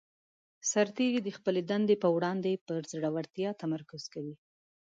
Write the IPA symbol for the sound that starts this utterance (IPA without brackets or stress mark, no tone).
s